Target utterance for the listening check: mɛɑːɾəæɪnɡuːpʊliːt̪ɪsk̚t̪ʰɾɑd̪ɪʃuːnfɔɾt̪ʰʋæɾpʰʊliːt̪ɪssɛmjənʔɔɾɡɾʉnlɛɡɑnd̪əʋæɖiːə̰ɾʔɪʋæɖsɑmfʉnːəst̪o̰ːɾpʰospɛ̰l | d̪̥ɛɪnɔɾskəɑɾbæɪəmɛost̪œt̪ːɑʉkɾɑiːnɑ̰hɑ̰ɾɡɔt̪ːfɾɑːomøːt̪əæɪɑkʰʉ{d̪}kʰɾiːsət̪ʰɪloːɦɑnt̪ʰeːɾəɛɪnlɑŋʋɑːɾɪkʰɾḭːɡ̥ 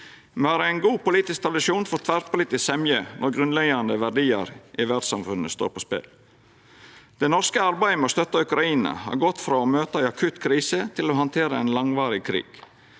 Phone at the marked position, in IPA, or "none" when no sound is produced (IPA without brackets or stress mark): t̪